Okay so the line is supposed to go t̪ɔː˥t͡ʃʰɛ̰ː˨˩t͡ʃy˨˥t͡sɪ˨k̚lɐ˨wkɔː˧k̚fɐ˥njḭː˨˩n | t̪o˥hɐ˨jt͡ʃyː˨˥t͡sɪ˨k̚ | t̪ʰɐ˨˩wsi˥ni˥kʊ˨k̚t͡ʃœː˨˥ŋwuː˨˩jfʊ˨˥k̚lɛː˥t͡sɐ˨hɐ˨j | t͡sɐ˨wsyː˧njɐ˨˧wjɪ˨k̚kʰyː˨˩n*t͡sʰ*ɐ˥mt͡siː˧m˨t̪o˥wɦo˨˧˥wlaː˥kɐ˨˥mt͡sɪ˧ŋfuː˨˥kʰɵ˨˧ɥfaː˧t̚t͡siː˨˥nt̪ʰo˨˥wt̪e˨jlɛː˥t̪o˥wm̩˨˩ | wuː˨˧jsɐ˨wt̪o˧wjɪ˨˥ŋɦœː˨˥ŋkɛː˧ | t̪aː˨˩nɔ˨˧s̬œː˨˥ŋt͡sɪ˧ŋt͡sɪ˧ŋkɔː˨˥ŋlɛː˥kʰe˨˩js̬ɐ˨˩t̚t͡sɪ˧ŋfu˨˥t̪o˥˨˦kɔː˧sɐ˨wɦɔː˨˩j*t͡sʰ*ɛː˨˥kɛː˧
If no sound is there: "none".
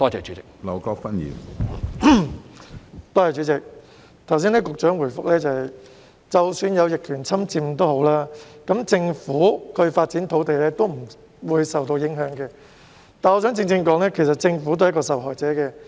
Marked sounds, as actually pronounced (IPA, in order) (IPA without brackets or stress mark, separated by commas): t͡sʰ, t͡s